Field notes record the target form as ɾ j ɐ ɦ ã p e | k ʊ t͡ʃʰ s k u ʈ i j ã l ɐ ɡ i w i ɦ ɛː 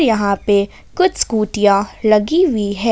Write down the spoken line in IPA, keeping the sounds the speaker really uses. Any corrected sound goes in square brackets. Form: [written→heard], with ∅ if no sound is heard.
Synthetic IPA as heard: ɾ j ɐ ɦ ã p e | k ʊ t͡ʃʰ s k [u→uː] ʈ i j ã l ɐ ɡ i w i ɦ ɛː